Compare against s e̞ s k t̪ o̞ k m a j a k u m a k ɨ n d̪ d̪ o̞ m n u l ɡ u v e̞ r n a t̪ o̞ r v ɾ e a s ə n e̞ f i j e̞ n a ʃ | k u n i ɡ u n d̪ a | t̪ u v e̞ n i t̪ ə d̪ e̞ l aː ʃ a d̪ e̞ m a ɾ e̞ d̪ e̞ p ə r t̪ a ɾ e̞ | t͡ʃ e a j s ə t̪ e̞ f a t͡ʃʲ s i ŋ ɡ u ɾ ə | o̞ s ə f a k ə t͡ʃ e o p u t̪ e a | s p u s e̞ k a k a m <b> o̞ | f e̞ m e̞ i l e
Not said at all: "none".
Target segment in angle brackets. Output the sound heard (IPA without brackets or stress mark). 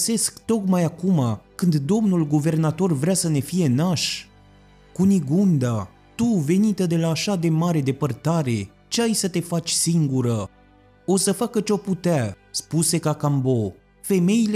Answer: b